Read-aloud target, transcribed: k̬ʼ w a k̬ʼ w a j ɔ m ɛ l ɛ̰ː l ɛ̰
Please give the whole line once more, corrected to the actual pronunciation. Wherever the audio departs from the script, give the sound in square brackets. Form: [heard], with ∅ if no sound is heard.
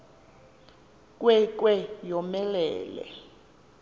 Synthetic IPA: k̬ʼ w [ɛ] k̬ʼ w [ɛ] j ɔ m ɛ l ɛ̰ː l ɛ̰